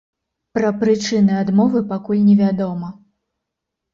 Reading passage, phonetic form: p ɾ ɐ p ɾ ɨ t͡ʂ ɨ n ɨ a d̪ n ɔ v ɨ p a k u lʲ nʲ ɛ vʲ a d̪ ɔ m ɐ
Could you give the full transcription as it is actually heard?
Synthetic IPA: p ɾ ɐ p ɾ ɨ t͡ʂ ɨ n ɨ a d̪ m ɔ v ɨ p a k u lʲ nʲ ɛ vʲ a d̪ ɔ m ɐ